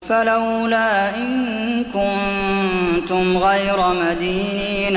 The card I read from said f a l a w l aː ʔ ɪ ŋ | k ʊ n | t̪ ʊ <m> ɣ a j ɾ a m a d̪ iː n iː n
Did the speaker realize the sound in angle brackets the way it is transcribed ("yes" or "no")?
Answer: yes